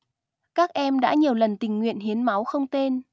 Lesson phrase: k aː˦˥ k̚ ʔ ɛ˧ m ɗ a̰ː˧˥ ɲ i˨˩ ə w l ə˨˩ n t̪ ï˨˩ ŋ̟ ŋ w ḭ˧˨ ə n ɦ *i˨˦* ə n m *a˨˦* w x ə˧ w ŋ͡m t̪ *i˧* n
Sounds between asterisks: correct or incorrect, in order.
correct, correct, incorrect: e˧

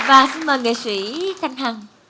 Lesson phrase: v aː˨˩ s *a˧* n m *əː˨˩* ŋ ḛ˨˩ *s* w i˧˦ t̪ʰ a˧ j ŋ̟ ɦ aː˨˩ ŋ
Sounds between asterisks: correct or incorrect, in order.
incorrect: i˧, correct, correct

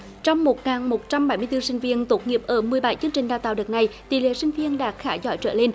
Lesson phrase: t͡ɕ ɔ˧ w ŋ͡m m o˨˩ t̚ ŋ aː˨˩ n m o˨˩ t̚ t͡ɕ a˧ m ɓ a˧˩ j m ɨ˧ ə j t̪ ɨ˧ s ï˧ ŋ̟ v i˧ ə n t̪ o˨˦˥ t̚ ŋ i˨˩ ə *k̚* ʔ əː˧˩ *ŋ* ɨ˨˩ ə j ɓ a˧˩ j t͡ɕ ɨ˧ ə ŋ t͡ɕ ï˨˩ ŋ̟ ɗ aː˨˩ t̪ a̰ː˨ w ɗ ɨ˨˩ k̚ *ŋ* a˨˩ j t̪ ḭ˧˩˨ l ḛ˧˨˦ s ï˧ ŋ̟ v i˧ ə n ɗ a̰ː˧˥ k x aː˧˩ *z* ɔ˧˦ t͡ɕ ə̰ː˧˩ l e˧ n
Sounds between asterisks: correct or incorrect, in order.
incorrect: p̚, incorrect: m, incorrect: n, correct

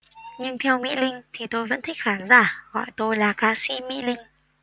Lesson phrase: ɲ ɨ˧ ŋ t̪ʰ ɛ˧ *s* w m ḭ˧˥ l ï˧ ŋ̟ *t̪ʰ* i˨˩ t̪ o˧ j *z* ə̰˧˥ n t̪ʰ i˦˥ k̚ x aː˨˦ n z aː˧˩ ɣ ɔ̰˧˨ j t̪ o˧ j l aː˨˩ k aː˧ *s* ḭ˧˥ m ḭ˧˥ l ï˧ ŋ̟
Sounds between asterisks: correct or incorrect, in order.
incorrect: none, correct, incorrect: v, correct

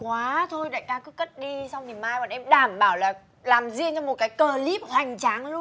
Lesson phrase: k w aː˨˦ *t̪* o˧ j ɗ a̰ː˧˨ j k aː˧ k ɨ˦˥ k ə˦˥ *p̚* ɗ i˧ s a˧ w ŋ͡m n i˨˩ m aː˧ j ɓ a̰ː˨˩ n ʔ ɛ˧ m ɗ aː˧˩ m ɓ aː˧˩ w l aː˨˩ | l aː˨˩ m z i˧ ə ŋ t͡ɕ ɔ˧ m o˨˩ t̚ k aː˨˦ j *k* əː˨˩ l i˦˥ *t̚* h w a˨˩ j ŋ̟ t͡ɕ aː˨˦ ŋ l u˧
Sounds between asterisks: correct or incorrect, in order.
incorrect: t̪ʰ, incorrect: t̚, correct, incorrect: p̚

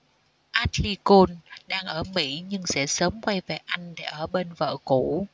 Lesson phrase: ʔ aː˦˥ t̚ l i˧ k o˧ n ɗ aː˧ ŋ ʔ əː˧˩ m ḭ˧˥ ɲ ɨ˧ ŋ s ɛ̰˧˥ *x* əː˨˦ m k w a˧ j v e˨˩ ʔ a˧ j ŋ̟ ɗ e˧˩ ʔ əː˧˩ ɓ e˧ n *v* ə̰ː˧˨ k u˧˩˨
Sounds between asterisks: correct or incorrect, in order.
incorrect: s, correct

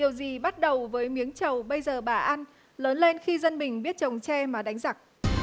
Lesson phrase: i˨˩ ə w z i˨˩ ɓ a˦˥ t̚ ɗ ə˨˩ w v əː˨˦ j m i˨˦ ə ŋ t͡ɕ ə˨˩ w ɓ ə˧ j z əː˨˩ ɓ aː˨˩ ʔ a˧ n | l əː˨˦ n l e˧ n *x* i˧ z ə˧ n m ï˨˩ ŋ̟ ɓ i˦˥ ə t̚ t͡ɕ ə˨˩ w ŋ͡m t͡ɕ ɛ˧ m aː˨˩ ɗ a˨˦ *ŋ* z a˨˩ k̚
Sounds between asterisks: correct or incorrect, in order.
correct, correct

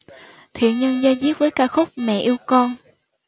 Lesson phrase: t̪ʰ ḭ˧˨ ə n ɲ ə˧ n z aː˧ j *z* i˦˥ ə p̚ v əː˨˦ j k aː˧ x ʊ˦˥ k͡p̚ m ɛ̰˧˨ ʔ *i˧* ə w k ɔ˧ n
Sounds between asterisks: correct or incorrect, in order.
correct, correct

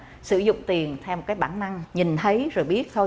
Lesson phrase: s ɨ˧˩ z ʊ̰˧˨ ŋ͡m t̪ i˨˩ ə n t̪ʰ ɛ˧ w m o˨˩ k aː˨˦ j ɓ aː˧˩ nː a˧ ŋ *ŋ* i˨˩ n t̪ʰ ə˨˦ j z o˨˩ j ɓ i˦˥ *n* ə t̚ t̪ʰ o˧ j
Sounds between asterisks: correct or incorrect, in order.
incorrect: ɲ, incorrect: none

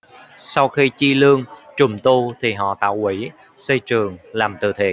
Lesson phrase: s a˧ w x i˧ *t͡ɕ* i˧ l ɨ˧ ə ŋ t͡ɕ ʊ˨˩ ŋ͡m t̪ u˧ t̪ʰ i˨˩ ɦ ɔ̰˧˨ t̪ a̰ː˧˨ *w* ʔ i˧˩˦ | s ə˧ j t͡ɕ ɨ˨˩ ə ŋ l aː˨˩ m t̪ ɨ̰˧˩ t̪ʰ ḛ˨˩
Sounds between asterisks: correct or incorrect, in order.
correct, correct

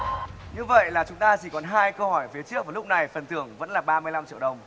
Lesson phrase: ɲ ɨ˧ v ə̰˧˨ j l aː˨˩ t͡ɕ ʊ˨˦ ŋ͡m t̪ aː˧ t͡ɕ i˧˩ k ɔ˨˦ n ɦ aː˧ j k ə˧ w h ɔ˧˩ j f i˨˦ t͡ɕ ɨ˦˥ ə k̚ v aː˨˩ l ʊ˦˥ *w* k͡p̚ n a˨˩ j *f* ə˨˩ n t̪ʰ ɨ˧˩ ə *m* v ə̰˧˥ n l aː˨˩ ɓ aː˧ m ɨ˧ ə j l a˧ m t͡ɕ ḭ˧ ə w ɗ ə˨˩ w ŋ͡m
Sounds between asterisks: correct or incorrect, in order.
incorrect: none, correct, incorrect: ŋ

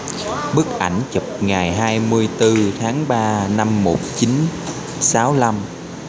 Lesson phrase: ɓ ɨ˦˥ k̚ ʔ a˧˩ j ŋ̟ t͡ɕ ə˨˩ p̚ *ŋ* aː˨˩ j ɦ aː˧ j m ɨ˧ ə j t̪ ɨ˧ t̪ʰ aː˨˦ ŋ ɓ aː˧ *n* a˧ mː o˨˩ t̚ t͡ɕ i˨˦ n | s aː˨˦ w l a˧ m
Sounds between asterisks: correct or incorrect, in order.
correct, correct

